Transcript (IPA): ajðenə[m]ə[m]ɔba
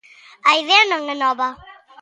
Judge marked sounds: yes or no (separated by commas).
no, no